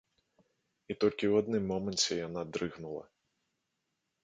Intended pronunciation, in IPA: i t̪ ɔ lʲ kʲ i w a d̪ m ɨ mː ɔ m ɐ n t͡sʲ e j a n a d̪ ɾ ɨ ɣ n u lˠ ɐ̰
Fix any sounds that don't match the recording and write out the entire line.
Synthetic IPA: i t̪ ɔ lʲ kʲ i w a d̪ n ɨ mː ɔ m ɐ n t͡sʲ ɛ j a n a d̪ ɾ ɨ ɣ n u lˠ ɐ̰

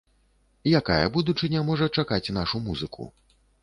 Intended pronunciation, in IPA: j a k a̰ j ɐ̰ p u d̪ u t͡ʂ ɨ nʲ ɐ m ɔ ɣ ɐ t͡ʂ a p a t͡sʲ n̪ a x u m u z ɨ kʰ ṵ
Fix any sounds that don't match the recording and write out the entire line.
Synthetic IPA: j a k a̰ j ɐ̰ b u d̪ u t͡ʂ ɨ nʲ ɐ m ɔ ʐ ɐ t͡ʂ a k a t͡sʲ n̪ a ʂ u m u z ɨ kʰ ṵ

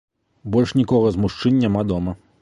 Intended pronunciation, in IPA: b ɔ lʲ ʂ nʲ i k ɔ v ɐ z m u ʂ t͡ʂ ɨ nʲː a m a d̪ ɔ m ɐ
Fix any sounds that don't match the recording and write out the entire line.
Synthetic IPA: b ɔ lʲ ʂ nʲ i k ɔ ɣ ɐ z m u ʂ t͡ʂ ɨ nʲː a m a d̪ ɔ m ɐ

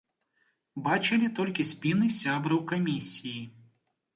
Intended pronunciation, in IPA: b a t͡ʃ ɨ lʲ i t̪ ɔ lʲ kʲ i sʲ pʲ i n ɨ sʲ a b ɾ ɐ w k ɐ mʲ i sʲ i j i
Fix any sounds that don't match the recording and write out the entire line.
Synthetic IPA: b a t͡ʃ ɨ lʲ i t̪ ɔ lʲ kʲ i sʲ pʲ i n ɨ sʲ a b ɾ ɐ w k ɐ mʲ i sʲ i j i

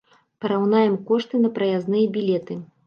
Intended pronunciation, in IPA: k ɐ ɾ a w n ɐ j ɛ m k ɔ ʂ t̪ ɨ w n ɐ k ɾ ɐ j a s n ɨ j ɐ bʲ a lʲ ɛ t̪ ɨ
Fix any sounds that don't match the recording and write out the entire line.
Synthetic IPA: p ɐ ɾ a w n a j ɛ m k ɔ ʂ t̪ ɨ n ɐ p ɾ ɐ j a z n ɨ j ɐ bʲ i lʲ ɛ t̪ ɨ

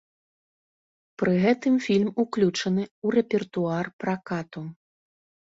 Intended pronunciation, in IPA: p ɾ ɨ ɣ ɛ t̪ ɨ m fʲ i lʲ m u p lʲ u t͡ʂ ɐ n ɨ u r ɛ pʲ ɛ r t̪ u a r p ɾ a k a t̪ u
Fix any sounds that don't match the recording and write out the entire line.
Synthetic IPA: p ɾ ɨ ɣ ɛ t̪ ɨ m fʲ i lʲ m u k lʲ u t͡ʂ ɐ n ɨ u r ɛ pʲ ɛ r t̪ u a r p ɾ a k a t̪ u

